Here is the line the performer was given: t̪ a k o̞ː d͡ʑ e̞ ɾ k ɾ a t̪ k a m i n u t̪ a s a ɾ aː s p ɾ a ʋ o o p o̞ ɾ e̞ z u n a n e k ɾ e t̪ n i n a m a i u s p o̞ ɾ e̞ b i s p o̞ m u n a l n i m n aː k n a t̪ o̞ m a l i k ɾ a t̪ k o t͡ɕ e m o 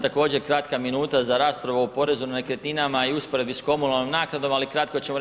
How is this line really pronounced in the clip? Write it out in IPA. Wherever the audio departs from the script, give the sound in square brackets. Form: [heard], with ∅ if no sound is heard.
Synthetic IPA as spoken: t̪ a k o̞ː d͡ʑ e̞ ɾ k ɾ a t̪ k a m i n [uː] t̪ a [z] a ɾ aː s p ɾ a ʋ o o p o̞ ɾ e̞ z u n a n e k ɾ e t̪ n i n a m a i u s p o̞ ɾ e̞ b i s [k] o̞ m u n a l n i m n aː k n a [d̪] o̞ m a l i k ɾ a t̪ k o t͡ɕ e m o